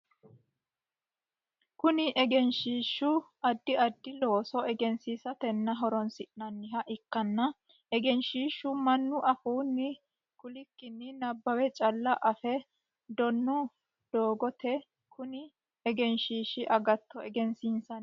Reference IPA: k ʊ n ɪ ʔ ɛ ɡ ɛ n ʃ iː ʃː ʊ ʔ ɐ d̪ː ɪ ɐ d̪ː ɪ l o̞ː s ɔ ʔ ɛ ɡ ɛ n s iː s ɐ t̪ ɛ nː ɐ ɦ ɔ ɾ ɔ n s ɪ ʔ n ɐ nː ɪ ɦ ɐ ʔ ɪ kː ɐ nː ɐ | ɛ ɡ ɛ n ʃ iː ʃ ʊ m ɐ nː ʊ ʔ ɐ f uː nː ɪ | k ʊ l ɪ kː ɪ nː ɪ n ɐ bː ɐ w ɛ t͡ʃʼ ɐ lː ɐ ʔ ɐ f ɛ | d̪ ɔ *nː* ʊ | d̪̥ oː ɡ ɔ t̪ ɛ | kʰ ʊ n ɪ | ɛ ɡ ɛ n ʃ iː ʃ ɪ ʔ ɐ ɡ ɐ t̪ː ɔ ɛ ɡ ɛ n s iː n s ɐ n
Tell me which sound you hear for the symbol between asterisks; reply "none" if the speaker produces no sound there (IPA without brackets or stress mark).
nː